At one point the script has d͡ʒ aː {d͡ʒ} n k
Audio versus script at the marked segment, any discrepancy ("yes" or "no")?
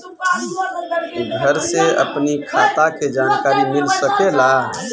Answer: yes